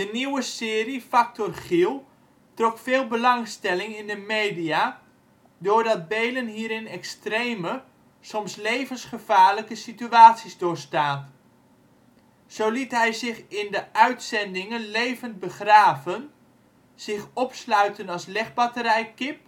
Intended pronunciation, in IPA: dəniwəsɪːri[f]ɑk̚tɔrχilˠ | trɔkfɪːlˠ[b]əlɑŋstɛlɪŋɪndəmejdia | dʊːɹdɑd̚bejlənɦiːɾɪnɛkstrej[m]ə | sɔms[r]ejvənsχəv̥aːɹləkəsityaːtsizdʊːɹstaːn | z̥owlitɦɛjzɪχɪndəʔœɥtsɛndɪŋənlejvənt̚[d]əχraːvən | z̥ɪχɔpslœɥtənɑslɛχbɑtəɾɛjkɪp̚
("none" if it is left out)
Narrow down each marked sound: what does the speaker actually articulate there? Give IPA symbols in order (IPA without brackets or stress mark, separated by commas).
f, b, m, l, b